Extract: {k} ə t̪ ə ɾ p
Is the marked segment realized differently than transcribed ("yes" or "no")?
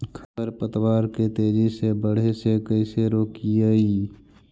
yes